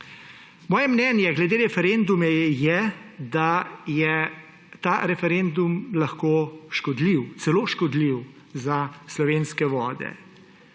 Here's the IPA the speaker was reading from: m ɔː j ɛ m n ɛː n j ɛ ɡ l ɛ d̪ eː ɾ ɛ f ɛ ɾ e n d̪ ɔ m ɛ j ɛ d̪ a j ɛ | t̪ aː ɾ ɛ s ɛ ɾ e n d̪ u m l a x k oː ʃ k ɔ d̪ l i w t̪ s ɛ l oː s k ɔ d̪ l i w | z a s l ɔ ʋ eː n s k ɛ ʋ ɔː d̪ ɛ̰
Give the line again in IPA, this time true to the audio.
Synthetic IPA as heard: m ɔː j ɛ m n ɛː n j ɛ ɡ l ɛ d̪ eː ɾ ɛ f ɛ ɾ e n d̪ u m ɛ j ɛ d̪ a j ɛ | t̪ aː ɾ ɛ f ɛ ɾ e n d̪ u m l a x k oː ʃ k ɔ d̪ l i w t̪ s ɛ l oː ʃ k ɔ d̪ l i w | z a s l ɔ ʋ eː n s k ɛ ʋ ɔː d̪ ɛ̰